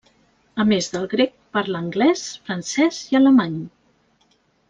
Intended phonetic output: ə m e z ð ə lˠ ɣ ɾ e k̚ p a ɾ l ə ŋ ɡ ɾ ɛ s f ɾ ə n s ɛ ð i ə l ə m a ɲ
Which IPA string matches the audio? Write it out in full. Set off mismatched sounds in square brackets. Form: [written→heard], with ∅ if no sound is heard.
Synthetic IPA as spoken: ə m e z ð ə lˠ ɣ ɾ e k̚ p a ɾ l ə ŋ ɡ [ɾ→l] ɛ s f ɾ ə n s ɛ [ð→z] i ə l ə m a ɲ